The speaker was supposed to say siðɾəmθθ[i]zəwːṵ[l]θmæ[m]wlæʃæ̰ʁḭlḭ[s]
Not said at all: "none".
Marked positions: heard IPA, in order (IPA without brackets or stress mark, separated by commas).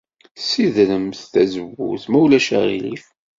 æ, none, none, f